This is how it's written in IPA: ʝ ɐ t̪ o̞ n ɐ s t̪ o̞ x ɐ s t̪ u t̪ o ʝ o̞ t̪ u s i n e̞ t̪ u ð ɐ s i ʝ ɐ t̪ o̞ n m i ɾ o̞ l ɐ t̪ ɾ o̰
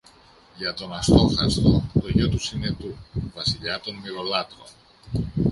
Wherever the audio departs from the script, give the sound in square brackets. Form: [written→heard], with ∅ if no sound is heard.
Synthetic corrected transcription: ʝ ɐ t̪ o̞ n ɐ s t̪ o̞ x ɐ s t̪ [u→o] t̪ o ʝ o̞ t̪ u s i n e̞ t̪ u [ð→v] ɐ s i [ʝ→ʎ] ɐ t̪ o̞ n m i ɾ o̞ l ɐ t̪ ɾ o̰